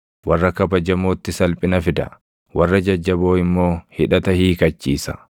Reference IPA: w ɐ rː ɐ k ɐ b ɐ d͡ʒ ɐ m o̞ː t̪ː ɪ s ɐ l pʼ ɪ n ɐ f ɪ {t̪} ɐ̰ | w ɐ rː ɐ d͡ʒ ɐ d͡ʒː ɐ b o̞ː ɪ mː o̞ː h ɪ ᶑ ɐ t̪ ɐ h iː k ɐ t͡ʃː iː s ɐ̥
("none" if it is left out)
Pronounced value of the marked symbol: d̪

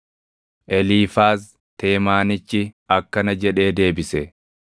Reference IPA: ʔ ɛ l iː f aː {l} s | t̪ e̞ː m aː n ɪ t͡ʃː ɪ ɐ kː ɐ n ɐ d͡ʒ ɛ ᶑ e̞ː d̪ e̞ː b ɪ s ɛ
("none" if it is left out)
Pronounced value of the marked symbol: none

